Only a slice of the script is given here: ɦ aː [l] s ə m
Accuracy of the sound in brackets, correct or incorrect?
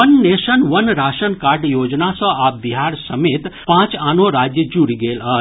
incorrect